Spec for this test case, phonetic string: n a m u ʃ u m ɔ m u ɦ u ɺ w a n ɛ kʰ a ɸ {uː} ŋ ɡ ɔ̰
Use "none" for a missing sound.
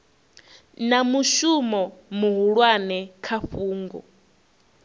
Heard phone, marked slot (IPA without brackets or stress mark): uː